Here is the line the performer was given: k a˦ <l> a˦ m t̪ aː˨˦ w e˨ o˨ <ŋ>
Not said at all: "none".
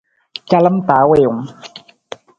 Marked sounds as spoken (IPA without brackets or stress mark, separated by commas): l, ŋ